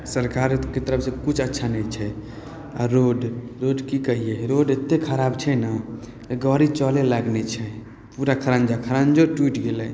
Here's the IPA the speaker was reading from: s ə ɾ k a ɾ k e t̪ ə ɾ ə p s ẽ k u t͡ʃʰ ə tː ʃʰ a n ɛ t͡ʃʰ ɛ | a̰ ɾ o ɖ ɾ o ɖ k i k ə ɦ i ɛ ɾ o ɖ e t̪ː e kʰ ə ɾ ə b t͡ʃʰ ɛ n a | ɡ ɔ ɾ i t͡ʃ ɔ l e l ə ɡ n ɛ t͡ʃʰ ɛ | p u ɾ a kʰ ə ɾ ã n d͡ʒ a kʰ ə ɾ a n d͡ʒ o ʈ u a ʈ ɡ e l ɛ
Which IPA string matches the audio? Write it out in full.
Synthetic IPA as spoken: s ə ɾ k a ɾ k e t̪ ə ɾ ə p s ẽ k u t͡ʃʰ ə tː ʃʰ a n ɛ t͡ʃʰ ɛ | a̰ ɾ o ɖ ɾ o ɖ k i k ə ɦ i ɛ ɾ o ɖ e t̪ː e kʰ ə ɾ a b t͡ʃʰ ɛ n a | ɡ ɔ ɾ i t͡ʃ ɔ l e l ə ɡ n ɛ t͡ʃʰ ɛ | p u ɾ a kʰ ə ɾ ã n d͡ʒ a kʰ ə ɾ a n d͡ʒ o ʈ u i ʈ ɡ e l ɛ

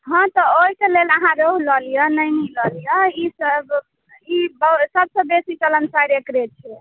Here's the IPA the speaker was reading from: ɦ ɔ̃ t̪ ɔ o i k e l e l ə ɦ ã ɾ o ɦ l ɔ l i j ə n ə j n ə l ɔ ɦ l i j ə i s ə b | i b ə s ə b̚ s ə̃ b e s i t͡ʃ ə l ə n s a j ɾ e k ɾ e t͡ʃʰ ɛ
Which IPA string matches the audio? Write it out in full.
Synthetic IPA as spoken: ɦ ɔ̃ t̪ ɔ o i k e l e l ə ɦ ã ɾ o ɦ l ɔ l i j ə n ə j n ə l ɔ l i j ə i s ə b | i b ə s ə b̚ s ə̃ b e s i t͡ʃ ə l ə n s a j ɾ e k ɾ e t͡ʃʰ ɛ

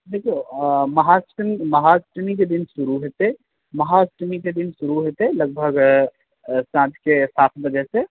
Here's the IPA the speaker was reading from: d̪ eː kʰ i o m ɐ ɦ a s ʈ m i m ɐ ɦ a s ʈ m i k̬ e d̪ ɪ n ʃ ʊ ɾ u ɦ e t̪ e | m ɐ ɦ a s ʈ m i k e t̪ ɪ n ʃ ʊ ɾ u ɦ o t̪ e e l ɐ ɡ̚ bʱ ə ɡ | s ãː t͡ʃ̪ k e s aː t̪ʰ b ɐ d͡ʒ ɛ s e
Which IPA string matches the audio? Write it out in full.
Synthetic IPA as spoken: d̪ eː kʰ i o m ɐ ɦ a s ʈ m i m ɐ ɦ a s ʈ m i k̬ e d̪ ɪ n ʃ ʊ ɾ u ɦ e t̪ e | m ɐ ɦ a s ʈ m i k e d̪ ɪ n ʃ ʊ ɾ u ɦ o t̪ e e l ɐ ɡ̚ bʱ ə ɡ | s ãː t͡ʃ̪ k e s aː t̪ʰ b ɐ d͡ʒ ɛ s e

